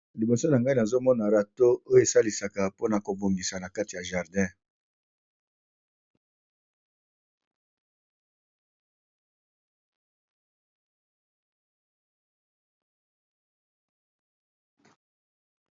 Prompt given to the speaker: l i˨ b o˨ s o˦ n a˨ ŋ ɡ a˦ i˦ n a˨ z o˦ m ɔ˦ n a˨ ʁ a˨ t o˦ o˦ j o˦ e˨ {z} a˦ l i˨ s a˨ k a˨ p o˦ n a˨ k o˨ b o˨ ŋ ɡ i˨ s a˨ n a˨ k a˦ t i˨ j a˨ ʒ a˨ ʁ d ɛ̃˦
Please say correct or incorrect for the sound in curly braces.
incorrect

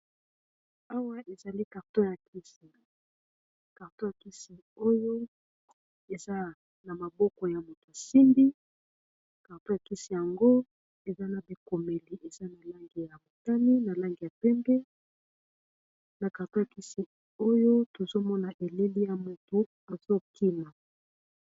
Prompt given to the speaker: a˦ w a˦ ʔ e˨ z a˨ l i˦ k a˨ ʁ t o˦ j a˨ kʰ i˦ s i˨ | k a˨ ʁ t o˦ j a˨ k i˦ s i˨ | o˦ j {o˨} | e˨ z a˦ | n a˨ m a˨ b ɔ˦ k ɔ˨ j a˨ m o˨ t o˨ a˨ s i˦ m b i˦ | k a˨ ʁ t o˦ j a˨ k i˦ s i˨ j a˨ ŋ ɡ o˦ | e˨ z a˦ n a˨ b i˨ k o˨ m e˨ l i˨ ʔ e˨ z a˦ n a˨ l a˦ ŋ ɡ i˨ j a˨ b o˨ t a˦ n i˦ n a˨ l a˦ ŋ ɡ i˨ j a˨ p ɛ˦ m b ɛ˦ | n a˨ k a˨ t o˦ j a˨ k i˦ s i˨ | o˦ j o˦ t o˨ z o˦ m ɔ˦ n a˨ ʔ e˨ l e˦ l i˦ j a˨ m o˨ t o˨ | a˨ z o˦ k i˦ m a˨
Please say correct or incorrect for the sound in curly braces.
incorrect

